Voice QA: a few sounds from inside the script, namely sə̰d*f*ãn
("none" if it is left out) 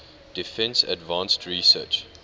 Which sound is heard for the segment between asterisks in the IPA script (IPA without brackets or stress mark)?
v